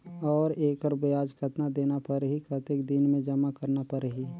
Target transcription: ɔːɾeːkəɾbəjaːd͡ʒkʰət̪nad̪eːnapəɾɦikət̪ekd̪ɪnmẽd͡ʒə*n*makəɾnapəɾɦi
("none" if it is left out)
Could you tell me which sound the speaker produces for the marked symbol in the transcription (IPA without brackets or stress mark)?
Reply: none